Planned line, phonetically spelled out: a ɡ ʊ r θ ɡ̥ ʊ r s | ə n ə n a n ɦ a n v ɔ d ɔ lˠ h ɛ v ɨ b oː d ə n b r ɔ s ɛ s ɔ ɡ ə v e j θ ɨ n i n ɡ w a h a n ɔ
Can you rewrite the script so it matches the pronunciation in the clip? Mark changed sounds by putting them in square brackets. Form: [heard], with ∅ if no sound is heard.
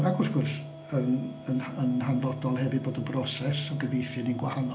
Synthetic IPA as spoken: a ɡ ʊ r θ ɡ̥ ʊ r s | ə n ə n [ə] n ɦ a n v ɔ d ɔ lˠ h ɛ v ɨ b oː d ə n b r ɔ s ɛ s ɔ ɡ ə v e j θ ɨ n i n ɡ w a h a n ɔ